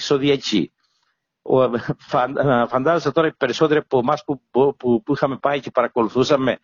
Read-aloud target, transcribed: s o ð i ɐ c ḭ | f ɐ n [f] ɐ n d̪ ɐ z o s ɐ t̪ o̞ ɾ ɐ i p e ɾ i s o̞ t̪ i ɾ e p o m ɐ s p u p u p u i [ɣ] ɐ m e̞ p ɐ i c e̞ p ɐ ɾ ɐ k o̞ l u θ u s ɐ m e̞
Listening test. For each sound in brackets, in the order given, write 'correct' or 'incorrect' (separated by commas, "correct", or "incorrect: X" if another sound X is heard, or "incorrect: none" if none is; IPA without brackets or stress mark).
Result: correct, incorrect: x